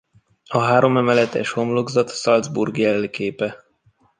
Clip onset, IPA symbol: ɒ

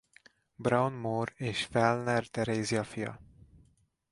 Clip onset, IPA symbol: b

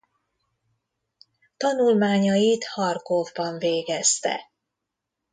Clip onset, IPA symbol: t̪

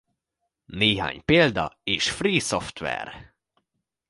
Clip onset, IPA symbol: n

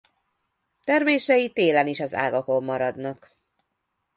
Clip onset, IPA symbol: t̪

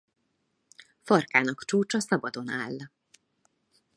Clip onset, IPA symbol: f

